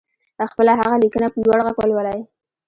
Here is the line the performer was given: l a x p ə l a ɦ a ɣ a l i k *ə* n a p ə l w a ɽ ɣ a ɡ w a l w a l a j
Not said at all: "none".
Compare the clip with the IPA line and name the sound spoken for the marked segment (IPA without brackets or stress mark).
ə